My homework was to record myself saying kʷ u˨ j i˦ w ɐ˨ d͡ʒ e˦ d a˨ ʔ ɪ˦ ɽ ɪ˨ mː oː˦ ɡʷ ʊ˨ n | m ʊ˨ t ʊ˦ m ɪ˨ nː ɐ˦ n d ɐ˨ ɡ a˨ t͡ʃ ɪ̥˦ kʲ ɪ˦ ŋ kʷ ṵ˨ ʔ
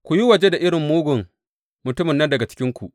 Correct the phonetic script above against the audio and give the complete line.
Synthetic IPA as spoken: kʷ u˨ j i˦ w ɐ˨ d͡ʒ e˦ d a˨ ʔ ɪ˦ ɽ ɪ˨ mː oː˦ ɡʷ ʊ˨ ŋ | m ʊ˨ t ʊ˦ m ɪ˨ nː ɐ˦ n d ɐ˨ ɡ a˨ t͡ʃ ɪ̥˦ kʲ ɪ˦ ŋ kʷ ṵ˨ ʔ